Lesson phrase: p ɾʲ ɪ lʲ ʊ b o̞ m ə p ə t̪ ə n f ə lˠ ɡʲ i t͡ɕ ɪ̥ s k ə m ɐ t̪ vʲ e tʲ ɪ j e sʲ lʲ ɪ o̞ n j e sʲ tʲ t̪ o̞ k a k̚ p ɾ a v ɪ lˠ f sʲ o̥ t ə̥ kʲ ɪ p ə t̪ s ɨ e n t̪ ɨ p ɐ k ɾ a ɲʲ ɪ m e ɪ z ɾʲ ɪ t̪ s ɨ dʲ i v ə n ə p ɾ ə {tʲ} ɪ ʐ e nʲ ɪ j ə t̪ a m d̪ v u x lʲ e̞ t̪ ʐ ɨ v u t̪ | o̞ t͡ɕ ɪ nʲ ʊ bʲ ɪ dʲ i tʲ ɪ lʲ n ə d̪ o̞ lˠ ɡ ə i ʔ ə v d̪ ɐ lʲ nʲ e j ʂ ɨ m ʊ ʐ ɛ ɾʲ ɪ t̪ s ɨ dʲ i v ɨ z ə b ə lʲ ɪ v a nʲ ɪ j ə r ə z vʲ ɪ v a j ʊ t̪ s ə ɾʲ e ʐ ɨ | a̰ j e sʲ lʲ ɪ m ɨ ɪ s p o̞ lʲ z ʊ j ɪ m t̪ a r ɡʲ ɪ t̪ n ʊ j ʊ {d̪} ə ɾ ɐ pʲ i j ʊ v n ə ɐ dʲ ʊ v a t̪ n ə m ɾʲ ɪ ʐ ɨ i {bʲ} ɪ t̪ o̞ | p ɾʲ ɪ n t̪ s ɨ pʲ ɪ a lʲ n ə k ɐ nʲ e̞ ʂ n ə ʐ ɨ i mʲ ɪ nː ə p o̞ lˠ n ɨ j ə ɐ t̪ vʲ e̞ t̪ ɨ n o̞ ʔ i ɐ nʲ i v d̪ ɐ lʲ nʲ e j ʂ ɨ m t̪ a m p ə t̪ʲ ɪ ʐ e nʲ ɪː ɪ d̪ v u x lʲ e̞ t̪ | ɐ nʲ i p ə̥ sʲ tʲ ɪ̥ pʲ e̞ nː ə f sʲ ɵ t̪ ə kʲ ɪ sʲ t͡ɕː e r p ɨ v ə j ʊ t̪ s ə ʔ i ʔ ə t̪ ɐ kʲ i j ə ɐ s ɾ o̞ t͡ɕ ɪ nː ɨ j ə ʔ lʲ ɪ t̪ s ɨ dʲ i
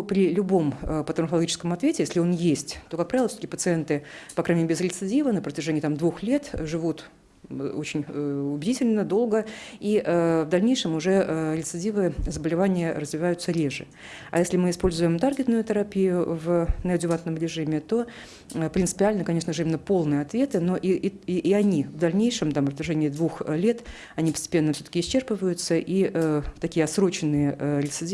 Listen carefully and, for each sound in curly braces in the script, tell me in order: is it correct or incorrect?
correct, incorrect: t̪, incorrect: mʲ

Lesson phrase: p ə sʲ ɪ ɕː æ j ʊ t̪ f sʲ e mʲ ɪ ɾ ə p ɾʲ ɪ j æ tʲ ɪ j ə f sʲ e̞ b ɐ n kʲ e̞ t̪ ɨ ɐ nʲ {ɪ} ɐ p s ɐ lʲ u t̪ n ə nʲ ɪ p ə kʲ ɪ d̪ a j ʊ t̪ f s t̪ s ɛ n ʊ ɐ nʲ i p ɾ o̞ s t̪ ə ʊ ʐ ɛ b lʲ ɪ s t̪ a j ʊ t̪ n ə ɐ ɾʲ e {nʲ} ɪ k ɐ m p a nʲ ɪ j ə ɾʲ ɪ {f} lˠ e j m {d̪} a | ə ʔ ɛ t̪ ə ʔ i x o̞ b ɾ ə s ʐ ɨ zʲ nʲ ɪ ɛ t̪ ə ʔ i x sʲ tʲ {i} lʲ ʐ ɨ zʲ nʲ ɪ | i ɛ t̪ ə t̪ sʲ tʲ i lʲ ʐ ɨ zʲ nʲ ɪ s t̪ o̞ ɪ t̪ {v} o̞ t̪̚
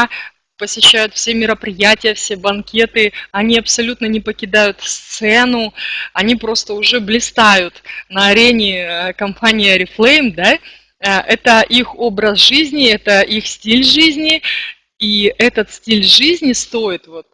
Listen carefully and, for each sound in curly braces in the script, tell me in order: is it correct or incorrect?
incorrect: i, correct, correct, correct, correct, correct

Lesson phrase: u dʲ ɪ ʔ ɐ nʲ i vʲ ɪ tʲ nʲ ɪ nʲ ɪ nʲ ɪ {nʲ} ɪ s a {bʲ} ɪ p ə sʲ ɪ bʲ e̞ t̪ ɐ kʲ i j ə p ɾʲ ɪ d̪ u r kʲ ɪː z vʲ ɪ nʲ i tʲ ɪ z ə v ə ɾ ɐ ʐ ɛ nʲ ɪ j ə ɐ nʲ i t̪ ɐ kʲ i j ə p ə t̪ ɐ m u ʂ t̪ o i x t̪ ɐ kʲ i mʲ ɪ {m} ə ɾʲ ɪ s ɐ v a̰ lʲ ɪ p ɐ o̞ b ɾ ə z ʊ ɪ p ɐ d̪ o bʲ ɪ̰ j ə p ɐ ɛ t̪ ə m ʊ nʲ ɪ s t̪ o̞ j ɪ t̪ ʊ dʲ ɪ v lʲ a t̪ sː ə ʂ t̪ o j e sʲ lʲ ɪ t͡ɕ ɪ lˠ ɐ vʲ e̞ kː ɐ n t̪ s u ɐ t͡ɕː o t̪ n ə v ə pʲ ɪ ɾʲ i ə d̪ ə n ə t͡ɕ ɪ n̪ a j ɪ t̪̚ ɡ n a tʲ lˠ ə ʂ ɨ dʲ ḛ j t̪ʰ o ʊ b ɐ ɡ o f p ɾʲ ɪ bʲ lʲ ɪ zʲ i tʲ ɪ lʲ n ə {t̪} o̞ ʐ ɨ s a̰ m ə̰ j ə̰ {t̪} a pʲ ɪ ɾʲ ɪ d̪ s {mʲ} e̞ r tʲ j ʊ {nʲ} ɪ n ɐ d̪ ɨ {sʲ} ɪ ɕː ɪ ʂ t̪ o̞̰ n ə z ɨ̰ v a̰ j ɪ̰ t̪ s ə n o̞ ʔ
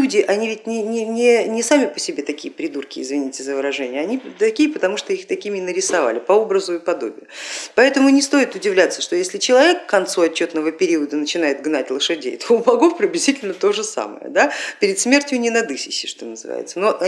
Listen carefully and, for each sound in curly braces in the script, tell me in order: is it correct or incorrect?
correct, incorrect: mʲ, incorrect: n, correct, incorrect: d̪, correct, correct, correct

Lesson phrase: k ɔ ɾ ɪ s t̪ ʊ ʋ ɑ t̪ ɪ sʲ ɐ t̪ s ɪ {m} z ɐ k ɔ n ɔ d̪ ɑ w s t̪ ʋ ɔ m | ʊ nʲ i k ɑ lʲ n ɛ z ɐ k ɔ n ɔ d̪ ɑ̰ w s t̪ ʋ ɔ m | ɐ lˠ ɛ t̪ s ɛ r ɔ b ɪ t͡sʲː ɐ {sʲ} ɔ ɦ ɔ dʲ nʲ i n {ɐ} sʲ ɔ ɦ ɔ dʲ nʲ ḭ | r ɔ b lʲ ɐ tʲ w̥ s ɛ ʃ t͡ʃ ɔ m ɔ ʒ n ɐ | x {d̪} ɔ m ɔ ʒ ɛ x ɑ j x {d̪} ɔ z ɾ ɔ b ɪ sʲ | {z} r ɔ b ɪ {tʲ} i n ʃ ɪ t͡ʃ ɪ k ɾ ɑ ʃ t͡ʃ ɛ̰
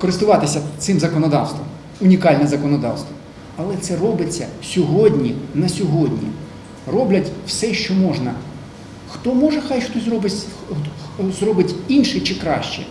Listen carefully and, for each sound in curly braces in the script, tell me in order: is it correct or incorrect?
correct, correct, correct, incorrect: t̪, incorrect: t̪, correct, correct

